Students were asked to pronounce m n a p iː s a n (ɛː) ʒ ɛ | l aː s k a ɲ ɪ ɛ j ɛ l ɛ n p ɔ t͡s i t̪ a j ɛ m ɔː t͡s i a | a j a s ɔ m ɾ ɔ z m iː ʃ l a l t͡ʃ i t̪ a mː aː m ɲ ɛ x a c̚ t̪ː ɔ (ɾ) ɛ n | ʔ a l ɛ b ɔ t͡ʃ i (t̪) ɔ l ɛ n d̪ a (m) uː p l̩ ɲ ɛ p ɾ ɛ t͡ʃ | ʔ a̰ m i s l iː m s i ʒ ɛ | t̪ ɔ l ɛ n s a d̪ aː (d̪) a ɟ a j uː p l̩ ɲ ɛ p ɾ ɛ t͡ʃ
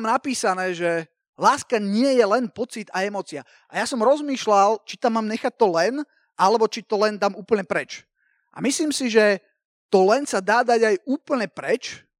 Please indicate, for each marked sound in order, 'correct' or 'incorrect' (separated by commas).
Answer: correct, incorrect, correct, correct, correct